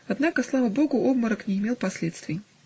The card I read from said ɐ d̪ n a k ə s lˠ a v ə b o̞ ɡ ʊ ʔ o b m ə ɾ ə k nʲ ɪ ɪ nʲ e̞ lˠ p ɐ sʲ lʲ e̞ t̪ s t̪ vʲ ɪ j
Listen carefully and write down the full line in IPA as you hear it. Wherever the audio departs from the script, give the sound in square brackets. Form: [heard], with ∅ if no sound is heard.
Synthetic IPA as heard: ɐ d̪ n a k ə s lˠ a v ə b o̞ ɡ ʊ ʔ o b m ə ɾ ə k nʲ ɪ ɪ [mʲ] e̞ lˠ p ɐ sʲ lʲ e̞ t̪ s t̪ vʲ ɪ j